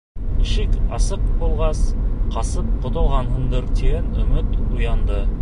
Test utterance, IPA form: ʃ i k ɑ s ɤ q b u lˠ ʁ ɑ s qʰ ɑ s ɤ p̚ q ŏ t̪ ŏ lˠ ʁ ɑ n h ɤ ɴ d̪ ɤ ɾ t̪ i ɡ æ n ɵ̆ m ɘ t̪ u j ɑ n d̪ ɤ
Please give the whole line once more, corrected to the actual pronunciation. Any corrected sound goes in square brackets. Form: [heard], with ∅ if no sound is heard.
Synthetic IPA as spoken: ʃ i k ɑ s ɤ q b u lˠ ʁ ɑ s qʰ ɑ s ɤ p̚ q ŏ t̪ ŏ lˠ ʁ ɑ n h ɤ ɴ d̪ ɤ ɾ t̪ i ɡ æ n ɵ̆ m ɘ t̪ u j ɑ n d̪ ɤ